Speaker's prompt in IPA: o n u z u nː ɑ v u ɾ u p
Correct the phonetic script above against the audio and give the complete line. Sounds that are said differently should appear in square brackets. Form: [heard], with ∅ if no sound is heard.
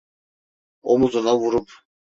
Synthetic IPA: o [m] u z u [n] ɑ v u ɾ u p